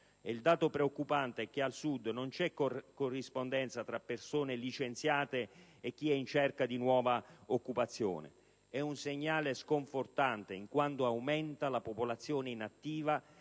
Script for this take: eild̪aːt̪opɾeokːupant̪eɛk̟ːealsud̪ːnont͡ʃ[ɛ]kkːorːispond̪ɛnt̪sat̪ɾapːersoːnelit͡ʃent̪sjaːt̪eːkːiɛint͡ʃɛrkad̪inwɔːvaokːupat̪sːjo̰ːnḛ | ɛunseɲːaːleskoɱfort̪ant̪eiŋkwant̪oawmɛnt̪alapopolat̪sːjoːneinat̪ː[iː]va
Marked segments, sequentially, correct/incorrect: correct, correct

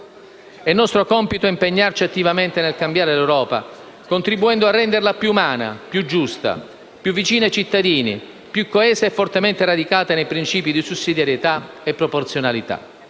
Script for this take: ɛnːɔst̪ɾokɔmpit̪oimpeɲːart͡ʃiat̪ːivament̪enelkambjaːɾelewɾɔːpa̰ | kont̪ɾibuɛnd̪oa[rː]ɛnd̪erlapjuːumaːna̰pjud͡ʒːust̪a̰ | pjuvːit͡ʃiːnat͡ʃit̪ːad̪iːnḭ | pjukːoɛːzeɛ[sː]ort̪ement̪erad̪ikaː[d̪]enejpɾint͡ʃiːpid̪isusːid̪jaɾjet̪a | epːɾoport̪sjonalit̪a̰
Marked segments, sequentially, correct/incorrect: correct, incorrect, incorrect

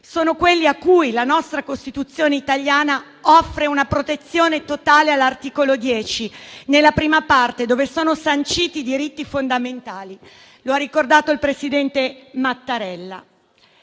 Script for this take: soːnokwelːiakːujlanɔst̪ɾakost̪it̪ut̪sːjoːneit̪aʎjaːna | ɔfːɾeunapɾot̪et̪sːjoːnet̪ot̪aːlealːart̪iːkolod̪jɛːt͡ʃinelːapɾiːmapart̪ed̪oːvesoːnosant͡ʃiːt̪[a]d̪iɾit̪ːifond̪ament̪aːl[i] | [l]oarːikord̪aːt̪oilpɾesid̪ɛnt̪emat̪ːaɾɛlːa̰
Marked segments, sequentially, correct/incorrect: incorrect, correct, correct

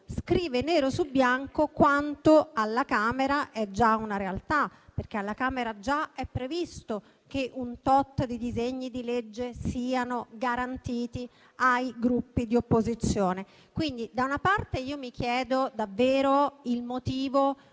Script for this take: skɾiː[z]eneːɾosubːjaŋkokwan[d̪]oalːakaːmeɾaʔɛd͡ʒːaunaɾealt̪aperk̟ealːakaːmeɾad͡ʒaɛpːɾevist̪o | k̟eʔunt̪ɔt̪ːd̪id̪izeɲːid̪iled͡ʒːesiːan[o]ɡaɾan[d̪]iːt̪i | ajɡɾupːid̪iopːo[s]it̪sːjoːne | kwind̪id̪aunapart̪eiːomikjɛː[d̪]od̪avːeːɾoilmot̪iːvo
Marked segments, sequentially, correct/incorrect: incorrect, incorrect, correct, incorrect, incorrect, correct

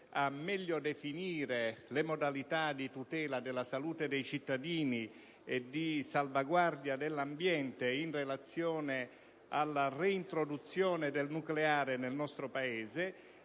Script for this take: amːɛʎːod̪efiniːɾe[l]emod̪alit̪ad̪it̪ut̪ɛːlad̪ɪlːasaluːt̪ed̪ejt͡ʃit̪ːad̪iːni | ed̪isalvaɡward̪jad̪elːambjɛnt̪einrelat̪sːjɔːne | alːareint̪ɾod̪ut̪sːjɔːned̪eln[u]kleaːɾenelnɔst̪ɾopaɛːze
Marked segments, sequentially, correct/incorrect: correct, correct

